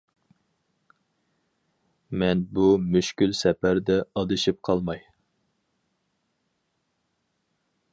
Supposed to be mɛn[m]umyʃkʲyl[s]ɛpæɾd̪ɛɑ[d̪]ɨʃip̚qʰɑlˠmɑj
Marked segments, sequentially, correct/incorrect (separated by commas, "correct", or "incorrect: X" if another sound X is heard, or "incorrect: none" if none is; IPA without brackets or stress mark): incorrect: b, correct, correct